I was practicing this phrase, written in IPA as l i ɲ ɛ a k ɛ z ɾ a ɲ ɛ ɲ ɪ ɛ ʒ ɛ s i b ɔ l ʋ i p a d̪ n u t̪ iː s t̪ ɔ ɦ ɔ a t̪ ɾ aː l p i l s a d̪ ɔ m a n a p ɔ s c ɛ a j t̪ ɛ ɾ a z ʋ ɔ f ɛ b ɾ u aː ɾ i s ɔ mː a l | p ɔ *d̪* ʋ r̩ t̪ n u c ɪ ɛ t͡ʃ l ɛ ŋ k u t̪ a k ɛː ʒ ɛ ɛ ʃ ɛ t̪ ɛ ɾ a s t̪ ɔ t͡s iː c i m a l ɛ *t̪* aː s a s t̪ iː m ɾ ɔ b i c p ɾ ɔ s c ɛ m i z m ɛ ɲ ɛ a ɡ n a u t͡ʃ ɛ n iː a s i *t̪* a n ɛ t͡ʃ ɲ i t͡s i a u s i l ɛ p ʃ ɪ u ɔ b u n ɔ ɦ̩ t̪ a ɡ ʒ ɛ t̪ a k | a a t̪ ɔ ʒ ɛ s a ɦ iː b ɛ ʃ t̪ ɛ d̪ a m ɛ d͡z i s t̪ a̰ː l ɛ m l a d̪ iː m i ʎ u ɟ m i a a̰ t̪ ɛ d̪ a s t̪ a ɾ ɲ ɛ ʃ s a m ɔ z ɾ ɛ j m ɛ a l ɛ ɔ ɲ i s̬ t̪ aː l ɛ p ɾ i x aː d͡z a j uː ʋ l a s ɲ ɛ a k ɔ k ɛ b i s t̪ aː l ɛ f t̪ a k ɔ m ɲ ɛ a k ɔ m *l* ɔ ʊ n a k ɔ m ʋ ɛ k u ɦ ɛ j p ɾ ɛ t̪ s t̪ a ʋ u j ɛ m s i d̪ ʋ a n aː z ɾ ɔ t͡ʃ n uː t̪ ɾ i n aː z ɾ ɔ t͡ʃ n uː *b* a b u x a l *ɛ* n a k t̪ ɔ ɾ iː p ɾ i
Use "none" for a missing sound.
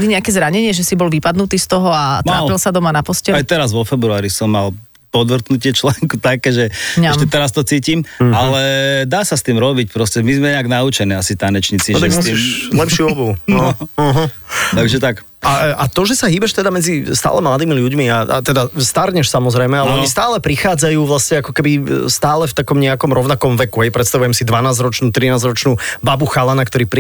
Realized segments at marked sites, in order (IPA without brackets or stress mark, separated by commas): d̪, d̪, t̪, ɾ, b, a